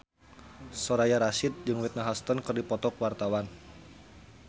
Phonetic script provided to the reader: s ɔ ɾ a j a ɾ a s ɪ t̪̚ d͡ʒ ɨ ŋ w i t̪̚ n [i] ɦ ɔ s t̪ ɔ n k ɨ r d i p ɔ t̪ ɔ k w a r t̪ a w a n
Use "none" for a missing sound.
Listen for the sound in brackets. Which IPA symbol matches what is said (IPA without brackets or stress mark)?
a